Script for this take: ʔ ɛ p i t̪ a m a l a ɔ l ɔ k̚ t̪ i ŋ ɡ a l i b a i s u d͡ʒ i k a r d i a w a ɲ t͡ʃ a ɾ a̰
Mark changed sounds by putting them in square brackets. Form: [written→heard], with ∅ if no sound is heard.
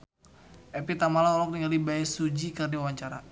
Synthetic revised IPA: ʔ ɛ p i t̪ a m a l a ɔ l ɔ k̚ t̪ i ŋ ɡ a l i b a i s u d͡ʒ i k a r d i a w a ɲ t͡ʃ a ɾ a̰